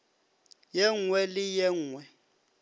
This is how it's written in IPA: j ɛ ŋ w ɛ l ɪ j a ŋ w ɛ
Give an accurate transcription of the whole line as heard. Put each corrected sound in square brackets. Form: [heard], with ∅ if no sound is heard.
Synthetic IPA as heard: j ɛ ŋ w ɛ l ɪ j [ɛ] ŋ w ɛ